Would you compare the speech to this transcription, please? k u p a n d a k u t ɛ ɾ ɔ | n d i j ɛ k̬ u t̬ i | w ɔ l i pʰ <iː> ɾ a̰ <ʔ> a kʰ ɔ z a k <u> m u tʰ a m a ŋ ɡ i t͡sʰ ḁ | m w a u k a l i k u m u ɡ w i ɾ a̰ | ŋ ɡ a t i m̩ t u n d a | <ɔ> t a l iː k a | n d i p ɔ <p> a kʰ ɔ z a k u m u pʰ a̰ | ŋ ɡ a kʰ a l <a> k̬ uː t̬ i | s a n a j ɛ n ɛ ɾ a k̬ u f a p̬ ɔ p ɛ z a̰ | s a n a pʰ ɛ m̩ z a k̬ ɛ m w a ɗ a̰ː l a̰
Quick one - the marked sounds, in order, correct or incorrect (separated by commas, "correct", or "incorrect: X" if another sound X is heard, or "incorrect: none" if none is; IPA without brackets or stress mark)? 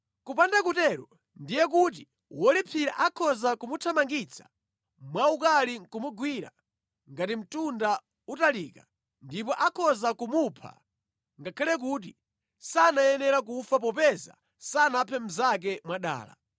incorrect: i, correct, correct, incorrect: u, incorrect: ʔ, incorrect: ɛ